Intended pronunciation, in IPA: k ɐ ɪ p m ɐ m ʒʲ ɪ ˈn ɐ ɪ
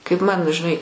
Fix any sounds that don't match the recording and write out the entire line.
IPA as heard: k ɐ ɪ p m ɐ n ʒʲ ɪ ˈn ɐ ɪ